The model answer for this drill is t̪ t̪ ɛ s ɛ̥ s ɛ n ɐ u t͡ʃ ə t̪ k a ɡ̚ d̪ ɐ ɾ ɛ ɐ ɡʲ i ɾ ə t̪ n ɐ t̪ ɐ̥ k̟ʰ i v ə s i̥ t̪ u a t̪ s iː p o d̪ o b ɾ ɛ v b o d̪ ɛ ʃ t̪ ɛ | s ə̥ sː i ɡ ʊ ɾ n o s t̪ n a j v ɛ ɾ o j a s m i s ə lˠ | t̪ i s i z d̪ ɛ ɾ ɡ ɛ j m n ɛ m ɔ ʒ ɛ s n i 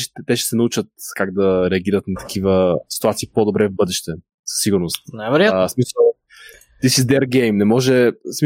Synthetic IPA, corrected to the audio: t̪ t̪ ɛ ʃ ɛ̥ s ɛ n ɐ u t͡ʃ ə t̪ k a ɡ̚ d̪ ɐ ɾ ɛ ɐ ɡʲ i ɾ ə t̪ n ɐ t̪ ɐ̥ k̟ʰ i v ə s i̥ t̪ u a t̪ s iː p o d̪ o b ɾ ɛ v b ɤ d̪ ɛ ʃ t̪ ɛ | s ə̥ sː i ɡ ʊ ɾ n o s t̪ n a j v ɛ ɾ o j a s m i s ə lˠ | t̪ i s i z d̪ ɛ ɾ ɡ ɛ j m n ɛ m ɔ ʒ ɛ s m i